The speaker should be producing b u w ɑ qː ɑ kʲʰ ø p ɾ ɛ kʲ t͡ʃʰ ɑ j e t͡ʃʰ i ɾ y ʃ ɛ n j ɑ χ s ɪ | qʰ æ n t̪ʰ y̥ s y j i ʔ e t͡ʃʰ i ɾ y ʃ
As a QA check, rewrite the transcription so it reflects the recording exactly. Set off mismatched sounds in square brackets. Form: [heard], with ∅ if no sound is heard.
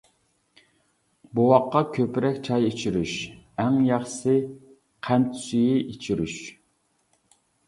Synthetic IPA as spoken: b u w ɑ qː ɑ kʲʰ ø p ɾ ɛ kʲ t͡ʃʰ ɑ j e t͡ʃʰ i ɾ y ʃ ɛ [ŋ] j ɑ χ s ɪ | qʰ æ n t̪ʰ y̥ s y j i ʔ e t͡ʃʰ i ɾ y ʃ